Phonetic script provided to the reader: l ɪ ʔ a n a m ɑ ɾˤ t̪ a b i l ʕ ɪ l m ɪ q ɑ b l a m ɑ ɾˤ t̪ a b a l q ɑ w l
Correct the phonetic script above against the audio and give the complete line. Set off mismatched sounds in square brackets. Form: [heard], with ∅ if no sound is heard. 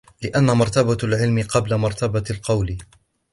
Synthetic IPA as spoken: l ɪ ʔ a [nː] a m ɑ ɾˤ t̪ a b [a] l ʕ ɪ l m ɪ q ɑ b l a m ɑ ɾˤ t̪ a b a l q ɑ w l